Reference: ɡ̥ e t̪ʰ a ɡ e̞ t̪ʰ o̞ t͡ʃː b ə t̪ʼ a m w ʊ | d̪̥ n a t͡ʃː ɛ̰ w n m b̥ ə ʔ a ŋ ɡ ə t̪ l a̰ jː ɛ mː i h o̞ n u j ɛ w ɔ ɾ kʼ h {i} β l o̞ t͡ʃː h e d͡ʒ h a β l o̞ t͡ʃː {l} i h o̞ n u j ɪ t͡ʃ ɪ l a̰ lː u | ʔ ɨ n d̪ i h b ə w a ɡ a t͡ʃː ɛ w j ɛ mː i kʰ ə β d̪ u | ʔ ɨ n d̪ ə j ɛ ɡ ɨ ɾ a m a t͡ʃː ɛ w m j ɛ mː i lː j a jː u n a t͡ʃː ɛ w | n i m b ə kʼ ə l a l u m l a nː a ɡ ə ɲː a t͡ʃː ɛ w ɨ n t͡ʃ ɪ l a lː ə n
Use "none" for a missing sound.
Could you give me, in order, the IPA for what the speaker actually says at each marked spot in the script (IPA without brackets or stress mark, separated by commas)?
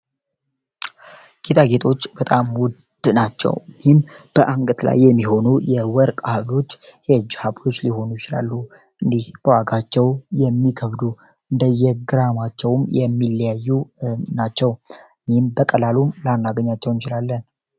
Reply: a, l